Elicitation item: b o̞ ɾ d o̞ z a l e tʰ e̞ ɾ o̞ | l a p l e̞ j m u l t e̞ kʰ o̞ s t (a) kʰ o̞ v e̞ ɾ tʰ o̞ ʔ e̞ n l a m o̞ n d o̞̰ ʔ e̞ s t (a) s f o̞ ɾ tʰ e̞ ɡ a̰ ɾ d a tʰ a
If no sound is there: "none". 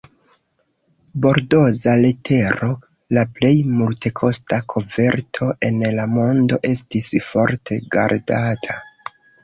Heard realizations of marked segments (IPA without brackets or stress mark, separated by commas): a, i